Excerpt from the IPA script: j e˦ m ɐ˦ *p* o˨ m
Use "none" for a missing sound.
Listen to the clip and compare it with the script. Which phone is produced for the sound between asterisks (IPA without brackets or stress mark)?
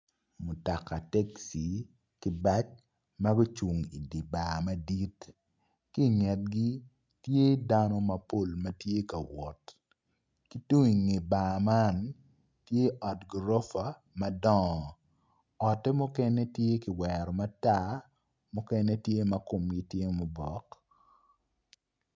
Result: k